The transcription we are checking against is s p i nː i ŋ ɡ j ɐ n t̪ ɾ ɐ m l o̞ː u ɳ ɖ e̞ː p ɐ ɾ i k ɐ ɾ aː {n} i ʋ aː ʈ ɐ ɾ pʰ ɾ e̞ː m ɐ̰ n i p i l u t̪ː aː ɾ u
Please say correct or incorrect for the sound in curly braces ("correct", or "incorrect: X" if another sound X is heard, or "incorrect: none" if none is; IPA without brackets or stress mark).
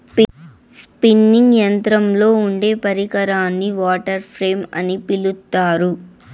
incorrect: nː